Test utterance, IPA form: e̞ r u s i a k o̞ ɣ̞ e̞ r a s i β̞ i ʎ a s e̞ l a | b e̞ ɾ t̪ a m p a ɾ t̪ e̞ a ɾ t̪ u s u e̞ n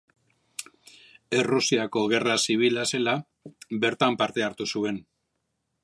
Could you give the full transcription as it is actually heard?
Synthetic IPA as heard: e̞ r u s i a k o̞ ɣ̞ e̞ r a s i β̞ i l a s e̞ l a | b e̞ ɾ t̪ a m p a ɾ t̪ e̞ a ɾ t̪ u s u e̞ n